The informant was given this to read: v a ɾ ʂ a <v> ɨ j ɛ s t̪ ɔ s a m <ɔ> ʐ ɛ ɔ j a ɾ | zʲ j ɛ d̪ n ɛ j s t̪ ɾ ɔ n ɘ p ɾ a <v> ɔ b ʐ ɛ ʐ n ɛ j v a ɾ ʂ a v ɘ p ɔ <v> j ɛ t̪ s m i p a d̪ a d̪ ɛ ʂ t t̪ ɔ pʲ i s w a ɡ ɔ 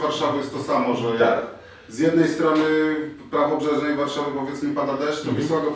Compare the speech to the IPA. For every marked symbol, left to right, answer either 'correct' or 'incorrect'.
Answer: correct, correct, correct, correct

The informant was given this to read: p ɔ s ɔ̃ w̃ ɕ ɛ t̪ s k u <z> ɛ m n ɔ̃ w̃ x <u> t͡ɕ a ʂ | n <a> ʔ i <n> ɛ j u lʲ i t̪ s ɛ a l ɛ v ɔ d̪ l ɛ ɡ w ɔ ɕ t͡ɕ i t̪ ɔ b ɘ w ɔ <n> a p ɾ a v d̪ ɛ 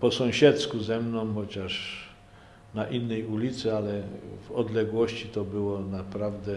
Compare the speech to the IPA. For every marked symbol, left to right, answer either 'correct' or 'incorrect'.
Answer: correct, incorrect: ɔ, correct, incorrect: nː, correct

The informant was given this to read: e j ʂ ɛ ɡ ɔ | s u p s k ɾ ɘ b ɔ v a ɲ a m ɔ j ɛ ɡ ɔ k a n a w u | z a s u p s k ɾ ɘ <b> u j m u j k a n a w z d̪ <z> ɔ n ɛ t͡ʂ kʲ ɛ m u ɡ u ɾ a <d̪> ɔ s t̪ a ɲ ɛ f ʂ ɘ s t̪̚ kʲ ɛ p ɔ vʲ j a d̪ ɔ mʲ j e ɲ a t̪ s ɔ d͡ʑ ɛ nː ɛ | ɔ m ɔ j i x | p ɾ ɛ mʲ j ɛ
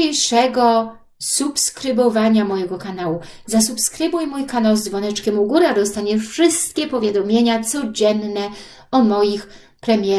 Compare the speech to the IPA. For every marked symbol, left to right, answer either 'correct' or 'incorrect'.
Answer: correct, incorrect: v, correct

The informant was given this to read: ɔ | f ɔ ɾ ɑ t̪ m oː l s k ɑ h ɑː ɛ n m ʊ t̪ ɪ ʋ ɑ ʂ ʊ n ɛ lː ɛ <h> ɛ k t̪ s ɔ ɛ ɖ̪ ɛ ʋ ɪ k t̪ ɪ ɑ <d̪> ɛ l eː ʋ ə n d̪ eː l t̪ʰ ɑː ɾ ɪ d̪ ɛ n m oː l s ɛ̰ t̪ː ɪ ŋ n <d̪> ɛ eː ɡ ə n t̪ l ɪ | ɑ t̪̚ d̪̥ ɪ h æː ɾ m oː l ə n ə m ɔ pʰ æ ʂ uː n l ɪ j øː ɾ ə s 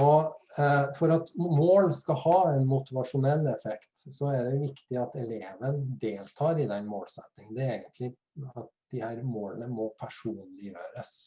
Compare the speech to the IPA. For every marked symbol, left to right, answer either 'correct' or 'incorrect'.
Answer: incorrect: f, incorrect: t̪, correct

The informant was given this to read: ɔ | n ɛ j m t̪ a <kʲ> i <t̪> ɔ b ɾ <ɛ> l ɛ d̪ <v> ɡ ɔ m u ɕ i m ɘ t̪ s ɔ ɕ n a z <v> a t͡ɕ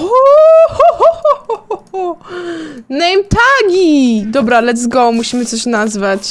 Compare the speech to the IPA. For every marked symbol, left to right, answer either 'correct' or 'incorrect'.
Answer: incorrect: ɡʲ, incorrect: d̪, incorrect: a, incorrect: z, correct

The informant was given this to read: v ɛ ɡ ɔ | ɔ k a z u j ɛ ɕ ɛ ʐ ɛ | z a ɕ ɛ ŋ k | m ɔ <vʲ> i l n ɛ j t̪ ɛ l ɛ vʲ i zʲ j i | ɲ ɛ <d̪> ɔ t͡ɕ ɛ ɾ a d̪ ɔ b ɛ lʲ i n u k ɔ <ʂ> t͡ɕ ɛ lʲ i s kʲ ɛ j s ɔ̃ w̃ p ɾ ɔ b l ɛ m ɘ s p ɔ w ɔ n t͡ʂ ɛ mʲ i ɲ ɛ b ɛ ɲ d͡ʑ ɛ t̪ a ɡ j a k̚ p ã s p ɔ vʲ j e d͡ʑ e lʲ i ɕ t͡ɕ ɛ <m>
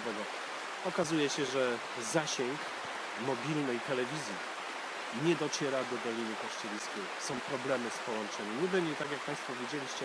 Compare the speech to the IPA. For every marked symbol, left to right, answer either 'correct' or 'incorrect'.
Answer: incorrect: bʲ, correct, correct, incorrect: none

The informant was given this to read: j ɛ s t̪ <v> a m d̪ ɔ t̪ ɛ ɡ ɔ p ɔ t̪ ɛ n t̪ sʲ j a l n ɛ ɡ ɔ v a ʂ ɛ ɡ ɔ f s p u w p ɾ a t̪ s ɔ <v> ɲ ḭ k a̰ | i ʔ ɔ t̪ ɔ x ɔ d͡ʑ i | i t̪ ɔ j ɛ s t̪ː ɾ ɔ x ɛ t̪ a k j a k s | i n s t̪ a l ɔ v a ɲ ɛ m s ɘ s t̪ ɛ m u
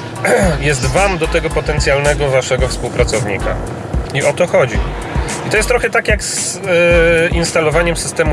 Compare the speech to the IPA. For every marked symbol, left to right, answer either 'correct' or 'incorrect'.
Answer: correct, correct

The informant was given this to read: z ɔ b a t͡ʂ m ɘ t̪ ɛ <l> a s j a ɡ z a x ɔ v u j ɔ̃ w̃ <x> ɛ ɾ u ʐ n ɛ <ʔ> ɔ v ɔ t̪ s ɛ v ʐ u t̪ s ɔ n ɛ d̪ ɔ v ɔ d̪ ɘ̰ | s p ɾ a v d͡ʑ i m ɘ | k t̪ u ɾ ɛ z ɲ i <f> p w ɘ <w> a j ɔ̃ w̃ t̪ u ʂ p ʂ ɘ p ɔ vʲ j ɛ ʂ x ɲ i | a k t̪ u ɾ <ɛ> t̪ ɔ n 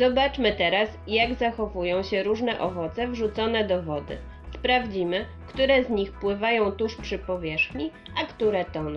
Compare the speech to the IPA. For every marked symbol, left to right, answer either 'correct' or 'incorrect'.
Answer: incorrect: ɾ, incorrect: ɕ, correct, incorrect: x, incorrect: v, correct

